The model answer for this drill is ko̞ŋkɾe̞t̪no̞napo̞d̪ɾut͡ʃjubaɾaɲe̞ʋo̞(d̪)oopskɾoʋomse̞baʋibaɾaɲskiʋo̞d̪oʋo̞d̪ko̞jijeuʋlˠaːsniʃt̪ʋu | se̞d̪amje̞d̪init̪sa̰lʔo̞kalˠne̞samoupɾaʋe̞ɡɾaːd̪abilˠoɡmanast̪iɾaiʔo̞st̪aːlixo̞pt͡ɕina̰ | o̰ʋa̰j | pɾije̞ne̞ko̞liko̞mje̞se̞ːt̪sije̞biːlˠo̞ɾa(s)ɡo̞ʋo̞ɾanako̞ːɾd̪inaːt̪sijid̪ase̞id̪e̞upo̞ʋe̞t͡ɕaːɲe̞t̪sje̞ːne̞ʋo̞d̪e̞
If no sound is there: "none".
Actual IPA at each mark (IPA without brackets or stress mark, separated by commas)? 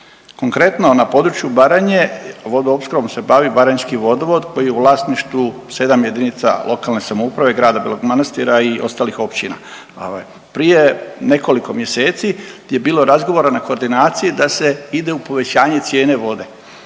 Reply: d̪, z